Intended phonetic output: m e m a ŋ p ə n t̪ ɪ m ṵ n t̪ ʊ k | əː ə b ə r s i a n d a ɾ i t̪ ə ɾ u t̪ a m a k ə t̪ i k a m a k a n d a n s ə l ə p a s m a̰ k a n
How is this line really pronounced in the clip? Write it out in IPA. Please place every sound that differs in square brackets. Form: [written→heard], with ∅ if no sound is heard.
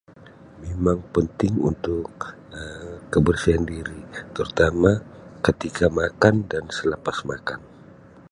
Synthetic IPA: m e m a ŋ p ə n t̪ ɪ [m→ŋ] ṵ n t̪ ʊ k | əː ə b ə r s i a n d [a→i] ɾ i t̪ ə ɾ u t̪ a m a k ə t̪ i k a m a k a n d a n s ə l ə p a s m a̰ k a n